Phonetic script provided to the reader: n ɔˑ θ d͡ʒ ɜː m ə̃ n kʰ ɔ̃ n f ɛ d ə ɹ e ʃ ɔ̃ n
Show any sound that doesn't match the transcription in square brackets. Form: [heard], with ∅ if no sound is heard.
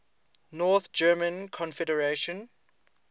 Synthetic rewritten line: n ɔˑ θ d͡ʒ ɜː m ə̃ n kʰ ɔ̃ n f ɛ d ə ɹ e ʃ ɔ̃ n